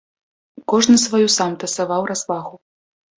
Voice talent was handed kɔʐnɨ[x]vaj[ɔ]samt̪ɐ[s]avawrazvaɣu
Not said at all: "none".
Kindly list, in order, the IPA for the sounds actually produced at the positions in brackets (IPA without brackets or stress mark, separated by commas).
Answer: s, u, s